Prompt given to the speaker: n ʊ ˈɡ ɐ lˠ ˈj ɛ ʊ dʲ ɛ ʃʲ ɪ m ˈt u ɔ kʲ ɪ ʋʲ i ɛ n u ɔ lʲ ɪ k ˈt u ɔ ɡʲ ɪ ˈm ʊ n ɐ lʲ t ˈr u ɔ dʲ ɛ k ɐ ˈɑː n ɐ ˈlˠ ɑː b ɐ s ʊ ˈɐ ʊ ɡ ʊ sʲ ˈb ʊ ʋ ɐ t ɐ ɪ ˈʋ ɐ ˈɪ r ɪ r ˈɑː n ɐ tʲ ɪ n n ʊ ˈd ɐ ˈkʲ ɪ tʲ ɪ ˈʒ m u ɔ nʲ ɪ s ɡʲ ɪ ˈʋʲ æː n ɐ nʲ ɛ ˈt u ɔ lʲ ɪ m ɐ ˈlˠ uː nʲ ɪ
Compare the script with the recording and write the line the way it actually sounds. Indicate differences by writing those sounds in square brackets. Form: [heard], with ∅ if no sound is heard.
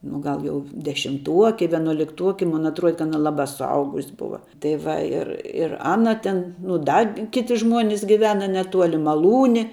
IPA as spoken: n ʊ ˈɡ ɐ lˠ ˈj ɛ ʊ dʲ ɛ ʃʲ ɪ m ˈt u ɔ kʲ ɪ ʋʲ i ɛ n u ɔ lʲ ɪ k ˈt u ɔ [kʲ] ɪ ˈm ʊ n ɐ [∅] t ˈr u ɔ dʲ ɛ k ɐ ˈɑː n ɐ ˈlˠ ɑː b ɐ s ʊ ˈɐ ʊ ɡ ʊ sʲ ˈb ʊ ʋ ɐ t ɐ ɪ ˈʋ ɐ ˈɪ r ɪ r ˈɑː n ɐ tʲ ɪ n n ʊ ˈd ɐ ˈkʲ ɪ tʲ ɪ ˈʒ m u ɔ nʲ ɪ s ɡʲ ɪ ˈʋʲ æː n ɐ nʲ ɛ ˈt u ɔ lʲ ɪ m ɐ ˈlˠ uː nʲ ɪ